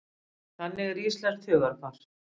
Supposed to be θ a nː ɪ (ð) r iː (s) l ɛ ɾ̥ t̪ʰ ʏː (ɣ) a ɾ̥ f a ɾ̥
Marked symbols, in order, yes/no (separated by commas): no, yes, yes